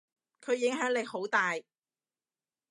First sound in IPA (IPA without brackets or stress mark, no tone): kʰ